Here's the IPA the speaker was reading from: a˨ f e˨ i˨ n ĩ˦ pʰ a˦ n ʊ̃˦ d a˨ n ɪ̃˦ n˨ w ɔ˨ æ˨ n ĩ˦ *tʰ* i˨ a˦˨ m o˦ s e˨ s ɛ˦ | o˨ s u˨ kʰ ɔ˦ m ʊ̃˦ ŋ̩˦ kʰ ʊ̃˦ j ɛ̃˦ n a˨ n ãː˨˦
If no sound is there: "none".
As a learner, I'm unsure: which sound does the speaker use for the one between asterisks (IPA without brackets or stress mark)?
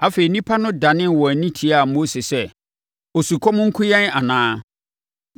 tʰ